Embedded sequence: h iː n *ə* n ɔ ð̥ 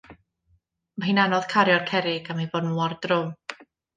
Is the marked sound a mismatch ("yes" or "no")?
yes